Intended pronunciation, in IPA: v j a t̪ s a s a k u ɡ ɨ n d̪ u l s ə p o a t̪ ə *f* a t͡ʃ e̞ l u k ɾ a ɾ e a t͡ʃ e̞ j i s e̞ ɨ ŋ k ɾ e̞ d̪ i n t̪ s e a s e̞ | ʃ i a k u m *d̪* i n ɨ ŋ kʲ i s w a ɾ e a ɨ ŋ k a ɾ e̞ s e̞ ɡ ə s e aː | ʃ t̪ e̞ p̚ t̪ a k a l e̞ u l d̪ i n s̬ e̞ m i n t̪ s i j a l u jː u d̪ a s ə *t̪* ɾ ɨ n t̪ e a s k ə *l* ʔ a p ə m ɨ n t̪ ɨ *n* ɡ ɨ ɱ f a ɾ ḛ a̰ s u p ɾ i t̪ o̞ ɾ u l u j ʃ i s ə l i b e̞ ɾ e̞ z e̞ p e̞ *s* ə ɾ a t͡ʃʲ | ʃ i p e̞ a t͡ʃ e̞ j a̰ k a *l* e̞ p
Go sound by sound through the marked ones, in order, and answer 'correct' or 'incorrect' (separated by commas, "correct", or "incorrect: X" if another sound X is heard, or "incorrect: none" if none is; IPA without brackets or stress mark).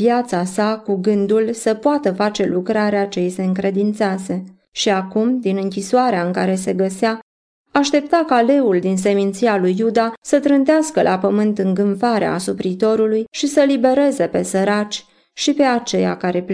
correct, correct, correct, correct, incorrect: ŋ, correct, incorrect: ɾ